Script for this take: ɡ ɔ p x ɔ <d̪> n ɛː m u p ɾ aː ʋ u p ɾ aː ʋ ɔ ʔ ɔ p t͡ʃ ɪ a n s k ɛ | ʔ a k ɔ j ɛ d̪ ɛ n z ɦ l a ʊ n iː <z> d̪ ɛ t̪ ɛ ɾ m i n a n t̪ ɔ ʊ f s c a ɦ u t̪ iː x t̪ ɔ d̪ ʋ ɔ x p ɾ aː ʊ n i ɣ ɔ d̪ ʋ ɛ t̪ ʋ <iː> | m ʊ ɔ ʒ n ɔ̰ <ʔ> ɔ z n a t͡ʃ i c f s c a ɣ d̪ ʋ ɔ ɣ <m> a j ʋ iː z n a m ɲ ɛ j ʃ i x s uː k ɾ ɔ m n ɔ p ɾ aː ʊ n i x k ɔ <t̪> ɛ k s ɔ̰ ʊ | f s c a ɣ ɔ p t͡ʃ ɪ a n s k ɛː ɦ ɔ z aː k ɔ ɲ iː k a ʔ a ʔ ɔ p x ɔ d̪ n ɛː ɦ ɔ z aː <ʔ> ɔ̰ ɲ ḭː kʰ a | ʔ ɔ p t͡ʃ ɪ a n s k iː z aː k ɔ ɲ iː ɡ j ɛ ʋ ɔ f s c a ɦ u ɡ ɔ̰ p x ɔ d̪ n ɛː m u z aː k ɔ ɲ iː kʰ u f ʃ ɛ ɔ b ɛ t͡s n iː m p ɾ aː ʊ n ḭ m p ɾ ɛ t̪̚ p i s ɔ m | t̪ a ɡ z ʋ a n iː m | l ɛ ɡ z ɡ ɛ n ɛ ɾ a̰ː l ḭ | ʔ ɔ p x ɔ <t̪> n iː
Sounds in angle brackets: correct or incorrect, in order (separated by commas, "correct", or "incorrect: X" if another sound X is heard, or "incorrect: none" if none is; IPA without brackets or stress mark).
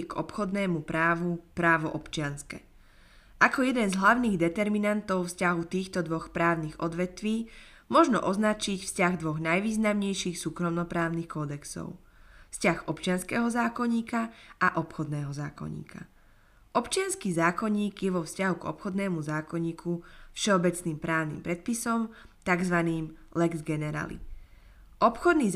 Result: correct, incorrect: ɣ, correct, correct, incorrect: n, incorrect: d̪, incorrect: k, incorrect: d̪